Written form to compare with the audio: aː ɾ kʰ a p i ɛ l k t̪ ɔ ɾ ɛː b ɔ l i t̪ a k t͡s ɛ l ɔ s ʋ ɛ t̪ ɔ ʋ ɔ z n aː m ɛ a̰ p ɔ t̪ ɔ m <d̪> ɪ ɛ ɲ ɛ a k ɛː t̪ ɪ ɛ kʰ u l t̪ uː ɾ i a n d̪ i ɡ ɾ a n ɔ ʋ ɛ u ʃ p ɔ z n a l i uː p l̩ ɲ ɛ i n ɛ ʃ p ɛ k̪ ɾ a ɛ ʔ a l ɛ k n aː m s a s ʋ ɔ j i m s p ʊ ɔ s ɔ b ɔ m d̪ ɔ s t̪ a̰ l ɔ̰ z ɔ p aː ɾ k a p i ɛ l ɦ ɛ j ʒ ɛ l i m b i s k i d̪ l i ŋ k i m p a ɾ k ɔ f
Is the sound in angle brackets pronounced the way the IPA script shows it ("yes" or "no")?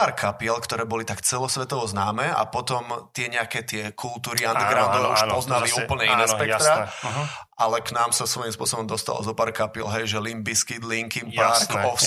no